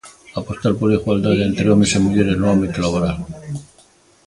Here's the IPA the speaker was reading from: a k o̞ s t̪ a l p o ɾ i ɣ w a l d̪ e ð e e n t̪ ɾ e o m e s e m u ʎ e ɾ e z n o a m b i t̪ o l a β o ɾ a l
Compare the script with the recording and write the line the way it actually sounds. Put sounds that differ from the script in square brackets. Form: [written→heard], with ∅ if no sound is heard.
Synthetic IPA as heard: a [k→p] o̞ s t̪ a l p o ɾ i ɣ w a l d̪ [e→a] ð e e n t̪ ɾ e o m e s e m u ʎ e ɾ e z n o a m b i t̪ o l a β o ɾ a l